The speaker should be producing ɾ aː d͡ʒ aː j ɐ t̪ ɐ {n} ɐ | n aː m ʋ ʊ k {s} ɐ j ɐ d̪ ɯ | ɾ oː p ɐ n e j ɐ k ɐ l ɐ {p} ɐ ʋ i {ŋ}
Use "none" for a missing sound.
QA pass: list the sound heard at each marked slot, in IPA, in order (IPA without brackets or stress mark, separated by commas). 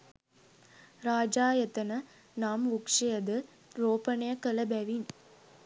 n, ʂ, b, n